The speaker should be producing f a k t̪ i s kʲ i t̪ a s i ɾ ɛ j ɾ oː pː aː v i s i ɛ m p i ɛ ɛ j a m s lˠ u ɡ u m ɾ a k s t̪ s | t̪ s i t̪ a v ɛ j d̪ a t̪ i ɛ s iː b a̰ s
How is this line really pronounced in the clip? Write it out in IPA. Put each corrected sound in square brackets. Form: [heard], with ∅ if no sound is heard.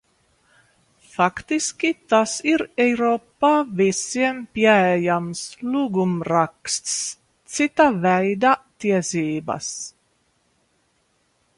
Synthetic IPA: f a k t̪ i s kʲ i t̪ a s i ɾ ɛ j ɾ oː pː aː v i s i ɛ m p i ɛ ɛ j a m s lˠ u ɡ u m ɾ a k s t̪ s | t̪ s i t̪ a v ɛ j d̪ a t̪ i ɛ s iː b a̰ s